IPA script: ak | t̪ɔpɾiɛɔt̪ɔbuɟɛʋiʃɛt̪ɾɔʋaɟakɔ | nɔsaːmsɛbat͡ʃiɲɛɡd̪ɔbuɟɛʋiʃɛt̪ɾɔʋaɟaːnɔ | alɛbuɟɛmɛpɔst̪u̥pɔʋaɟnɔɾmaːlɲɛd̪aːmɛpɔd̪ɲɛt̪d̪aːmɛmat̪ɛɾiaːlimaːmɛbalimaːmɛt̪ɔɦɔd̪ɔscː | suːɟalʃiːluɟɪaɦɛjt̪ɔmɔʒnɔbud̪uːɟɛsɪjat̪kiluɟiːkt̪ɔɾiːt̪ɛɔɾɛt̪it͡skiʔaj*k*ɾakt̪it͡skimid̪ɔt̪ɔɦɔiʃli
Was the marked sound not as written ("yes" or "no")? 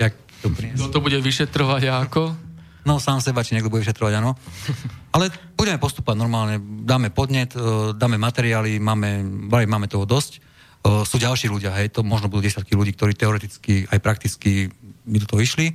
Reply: yes